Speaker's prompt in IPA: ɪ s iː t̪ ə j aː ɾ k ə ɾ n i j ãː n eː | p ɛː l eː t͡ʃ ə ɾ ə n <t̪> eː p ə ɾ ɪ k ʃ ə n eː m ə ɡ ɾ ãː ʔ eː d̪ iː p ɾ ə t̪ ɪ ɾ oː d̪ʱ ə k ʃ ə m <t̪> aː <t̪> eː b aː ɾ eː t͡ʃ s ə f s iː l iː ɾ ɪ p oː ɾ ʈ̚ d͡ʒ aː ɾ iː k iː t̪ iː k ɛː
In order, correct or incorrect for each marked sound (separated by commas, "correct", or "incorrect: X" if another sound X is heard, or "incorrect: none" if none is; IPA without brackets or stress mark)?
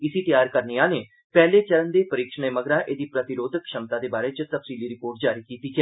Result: incorrect: d̪, correct, incorrect: d̪